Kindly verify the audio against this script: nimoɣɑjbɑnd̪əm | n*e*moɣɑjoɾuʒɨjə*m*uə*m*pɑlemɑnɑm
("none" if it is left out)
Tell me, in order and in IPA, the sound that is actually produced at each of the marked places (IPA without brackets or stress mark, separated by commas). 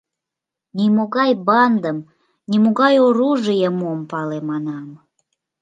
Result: i, m, m